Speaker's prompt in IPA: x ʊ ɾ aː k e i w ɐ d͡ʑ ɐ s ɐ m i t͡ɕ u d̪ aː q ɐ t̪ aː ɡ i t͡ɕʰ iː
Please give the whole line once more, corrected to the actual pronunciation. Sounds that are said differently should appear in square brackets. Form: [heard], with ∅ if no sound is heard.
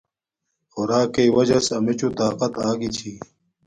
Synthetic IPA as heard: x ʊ ɾ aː k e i w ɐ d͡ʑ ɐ s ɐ m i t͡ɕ u [t̪] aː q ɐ t̪ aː ɡ i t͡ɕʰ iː